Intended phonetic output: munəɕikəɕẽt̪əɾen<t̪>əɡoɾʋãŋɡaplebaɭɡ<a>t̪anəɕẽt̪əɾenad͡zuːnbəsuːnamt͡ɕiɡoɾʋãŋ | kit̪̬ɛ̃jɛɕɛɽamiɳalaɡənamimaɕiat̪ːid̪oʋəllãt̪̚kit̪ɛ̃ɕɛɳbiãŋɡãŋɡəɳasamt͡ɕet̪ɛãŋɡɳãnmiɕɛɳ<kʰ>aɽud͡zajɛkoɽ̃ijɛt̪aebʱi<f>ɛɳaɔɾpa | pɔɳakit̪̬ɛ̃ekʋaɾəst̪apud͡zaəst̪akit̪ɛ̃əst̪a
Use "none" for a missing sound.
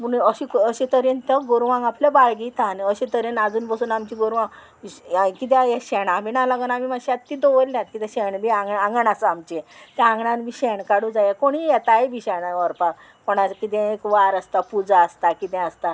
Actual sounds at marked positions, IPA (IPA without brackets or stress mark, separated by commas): t̪, i, k, ɕ